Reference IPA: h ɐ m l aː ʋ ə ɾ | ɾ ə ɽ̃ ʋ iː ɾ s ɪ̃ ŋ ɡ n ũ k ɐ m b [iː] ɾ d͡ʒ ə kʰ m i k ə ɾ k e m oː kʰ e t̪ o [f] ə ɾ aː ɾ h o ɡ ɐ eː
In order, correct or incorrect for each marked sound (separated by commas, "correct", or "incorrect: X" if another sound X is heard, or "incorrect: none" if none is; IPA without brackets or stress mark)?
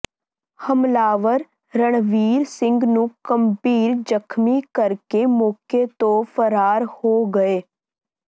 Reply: correct, correct